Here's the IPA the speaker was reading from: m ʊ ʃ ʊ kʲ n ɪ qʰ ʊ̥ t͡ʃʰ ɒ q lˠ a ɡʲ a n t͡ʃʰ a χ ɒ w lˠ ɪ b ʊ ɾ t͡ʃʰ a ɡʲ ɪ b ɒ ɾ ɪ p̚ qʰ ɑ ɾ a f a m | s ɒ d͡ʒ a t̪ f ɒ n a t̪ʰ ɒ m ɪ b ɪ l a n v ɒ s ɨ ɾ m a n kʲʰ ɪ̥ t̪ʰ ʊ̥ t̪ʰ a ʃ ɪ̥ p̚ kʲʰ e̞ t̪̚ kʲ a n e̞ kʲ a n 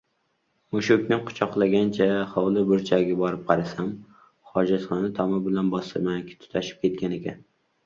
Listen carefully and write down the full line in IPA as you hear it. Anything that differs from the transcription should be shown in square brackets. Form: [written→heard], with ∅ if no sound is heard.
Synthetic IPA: m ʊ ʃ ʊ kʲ n ɪ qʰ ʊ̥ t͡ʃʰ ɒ q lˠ a ɡʲ a n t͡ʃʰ a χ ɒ w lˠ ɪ b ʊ ɾ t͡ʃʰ a ɡʲ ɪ b ɒ ɾ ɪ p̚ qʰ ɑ ɾ a [f→s] a m | [s→χ] ɒ d͡ʒ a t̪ [f→χ] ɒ n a t̪ʰ ɒ m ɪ b ɪ l a n [v→b] ɒ s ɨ ɾ m a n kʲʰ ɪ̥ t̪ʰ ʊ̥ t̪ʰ a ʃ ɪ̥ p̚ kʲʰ e̞ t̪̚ kʲ a n e̞ kʲ a n